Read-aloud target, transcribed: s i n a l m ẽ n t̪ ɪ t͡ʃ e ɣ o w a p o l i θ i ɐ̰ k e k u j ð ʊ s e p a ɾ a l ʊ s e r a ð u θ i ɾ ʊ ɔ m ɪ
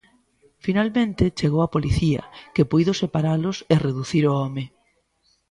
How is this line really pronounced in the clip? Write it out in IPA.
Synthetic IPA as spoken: f i n a l m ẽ n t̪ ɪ t͡ʃ e ɣ o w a p o l i θ i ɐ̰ k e p u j ð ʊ s e p a ɾ a l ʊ s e r e ð u θ i ɾ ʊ ɔ m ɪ